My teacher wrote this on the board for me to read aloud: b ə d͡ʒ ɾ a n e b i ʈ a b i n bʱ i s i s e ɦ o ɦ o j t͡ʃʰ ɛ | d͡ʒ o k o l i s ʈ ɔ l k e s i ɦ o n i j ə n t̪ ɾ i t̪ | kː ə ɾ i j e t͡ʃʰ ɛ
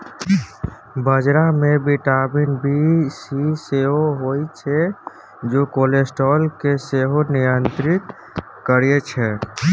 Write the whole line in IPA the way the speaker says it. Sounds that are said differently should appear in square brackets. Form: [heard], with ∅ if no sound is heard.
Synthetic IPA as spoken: b ə d͡ʒ ɾ a [m] e b i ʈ a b i n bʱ i s i s e ɦ o ɦ o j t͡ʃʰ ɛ | d͡ʒ o k o l [e] s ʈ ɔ l k e s [e] ɦ o n i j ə n t̪ ɾ i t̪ | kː ə ɾ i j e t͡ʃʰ ɛ